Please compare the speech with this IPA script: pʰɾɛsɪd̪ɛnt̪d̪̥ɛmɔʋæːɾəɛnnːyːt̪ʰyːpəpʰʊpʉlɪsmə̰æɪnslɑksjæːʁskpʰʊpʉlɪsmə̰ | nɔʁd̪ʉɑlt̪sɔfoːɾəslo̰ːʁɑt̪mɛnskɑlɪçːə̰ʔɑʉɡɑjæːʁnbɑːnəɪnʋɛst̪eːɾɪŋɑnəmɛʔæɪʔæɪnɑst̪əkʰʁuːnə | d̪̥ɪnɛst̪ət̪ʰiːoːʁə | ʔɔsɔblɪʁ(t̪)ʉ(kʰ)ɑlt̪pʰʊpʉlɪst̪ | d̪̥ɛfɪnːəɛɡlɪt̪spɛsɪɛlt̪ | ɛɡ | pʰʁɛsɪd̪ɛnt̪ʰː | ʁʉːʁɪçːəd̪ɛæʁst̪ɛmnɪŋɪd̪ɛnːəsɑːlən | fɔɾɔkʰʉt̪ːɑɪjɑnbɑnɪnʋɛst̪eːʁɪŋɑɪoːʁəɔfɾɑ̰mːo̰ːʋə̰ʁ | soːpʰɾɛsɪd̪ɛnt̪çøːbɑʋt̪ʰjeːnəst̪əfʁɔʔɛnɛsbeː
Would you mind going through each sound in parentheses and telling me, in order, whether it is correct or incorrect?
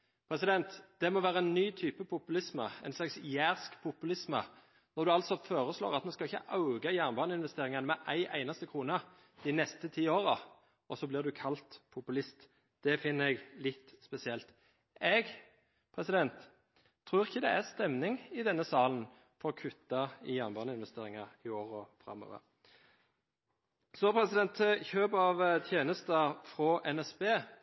incorrect, correct

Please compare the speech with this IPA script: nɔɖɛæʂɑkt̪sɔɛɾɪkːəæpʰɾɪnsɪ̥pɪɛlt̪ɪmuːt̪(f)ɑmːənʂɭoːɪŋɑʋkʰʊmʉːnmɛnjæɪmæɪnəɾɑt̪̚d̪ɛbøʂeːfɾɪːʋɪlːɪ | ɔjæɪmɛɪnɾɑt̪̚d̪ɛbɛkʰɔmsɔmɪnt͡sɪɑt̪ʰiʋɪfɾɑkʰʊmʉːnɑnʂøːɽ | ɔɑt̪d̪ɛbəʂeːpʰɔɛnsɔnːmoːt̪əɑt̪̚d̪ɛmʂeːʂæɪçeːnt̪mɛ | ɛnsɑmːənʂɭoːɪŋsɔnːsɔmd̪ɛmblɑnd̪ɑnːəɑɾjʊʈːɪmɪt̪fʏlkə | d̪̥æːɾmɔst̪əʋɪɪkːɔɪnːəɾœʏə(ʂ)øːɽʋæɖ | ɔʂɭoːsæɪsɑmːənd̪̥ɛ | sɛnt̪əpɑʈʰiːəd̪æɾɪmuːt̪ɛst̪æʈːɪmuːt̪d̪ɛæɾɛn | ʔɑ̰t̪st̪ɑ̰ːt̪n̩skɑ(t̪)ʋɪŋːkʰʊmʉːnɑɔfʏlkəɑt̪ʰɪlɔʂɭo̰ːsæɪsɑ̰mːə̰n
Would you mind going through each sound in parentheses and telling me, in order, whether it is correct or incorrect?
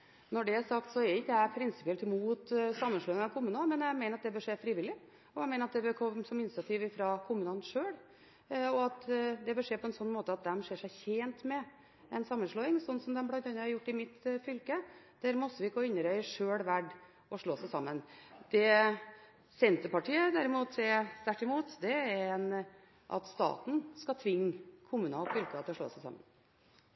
incorrect, correct, incorrect

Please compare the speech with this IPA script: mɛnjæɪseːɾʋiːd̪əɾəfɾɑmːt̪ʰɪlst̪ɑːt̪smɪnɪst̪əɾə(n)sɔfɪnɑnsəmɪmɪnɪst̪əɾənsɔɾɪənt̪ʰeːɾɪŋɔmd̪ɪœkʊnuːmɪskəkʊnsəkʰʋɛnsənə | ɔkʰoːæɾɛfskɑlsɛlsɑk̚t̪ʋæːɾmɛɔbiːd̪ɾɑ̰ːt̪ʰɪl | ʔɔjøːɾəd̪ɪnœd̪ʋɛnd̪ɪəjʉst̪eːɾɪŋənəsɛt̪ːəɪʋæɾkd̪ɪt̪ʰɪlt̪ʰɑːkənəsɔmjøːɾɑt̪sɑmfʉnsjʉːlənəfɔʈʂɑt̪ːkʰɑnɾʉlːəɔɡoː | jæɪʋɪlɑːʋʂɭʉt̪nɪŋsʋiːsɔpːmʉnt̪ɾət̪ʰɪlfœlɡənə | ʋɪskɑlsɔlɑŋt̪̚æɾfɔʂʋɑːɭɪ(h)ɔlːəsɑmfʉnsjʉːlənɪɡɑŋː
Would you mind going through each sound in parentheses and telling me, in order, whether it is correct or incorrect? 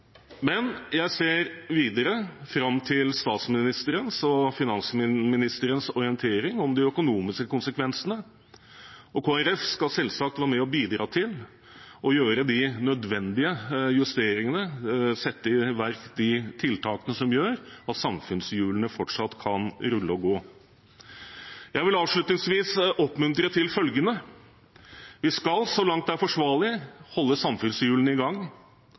correct, correct

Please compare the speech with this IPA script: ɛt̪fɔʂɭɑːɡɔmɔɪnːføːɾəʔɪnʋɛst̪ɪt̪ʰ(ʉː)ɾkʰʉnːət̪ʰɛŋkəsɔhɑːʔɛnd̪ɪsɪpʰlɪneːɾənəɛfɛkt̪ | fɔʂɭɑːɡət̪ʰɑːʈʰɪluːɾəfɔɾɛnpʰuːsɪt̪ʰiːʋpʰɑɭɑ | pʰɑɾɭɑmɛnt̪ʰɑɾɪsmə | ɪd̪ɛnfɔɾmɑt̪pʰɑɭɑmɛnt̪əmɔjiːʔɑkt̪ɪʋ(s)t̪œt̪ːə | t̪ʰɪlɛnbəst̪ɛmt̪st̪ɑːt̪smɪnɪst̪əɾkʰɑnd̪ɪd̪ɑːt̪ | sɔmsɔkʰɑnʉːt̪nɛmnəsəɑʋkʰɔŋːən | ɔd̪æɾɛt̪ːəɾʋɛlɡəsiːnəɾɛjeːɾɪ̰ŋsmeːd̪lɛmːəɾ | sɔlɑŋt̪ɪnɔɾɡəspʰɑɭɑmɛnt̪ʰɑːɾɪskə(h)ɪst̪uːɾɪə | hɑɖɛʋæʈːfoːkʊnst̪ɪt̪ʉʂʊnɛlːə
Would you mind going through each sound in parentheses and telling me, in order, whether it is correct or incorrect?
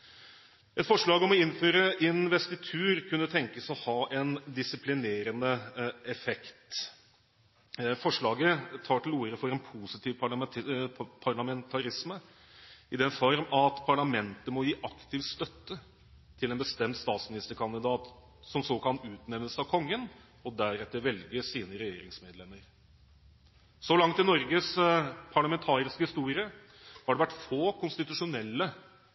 correct, correct, correct

